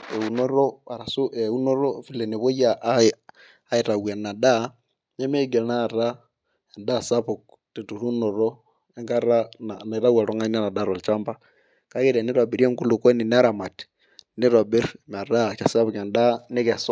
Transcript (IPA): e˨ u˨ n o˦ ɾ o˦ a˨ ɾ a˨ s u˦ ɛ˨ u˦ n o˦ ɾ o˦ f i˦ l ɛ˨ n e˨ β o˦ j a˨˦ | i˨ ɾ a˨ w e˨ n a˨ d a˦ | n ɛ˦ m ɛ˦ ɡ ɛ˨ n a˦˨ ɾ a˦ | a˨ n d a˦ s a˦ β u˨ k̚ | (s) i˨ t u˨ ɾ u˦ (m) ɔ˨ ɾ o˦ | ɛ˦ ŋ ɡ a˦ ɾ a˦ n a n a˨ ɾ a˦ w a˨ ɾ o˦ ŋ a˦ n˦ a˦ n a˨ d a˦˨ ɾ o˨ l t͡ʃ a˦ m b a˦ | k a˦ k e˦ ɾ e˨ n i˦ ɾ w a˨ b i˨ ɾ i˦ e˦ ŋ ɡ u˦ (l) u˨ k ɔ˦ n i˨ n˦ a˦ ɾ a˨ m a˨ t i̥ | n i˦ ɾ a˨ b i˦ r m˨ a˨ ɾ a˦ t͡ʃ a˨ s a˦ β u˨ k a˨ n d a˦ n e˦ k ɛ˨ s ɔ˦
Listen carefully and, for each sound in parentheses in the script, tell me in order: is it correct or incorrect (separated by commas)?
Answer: incorrect, incorrect, correct